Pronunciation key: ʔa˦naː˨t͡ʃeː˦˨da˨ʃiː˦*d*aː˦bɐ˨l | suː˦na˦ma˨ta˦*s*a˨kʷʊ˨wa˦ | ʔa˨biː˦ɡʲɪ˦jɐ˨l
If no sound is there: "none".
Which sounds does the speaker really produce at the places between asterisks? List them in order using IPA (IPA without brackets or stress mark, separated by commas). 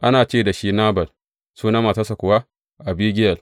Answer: n, s